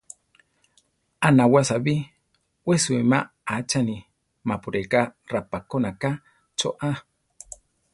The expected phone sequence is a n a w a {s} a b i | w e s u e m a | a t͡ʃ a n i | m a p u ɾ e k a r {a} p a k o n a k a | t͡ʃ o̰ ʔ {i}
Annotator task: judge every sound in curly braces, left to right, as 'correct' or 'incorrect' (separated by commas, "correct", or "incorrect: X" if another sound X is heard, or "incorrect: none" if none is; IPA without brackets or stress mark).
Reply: correct, correct, incorrect: a